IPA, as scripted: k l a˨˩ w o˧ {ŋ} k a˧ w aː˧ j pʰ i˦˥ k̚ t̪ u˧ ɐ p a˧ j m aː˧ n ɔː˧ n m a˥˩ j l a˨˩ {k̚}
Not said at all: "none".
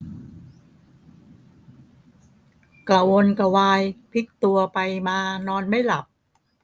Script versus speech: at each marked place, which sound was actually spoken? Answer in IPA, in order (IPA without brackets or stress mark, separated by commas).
n, p̚